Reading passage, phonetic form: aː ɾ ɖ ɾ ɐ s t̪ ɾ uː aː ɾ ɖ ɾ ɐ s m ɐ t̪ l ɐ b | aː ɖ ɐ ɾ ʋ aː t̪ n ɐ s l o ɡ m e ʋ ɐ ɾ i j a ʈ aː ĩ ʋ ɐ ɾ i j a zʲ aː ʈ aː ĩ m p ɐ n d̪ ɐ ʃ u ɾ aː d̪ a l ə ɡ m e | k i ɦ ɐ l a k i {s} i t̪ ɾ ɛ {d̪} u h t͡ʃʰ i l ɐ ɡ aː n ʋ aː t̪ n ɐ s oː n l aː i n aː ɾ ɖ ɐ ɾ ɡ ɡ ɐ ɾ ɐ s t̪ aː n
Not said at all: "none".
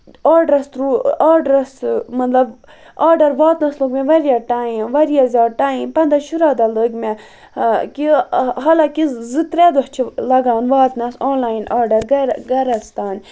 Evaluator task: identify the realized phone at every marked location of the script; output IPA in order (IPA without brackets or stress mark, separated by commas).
z, d̪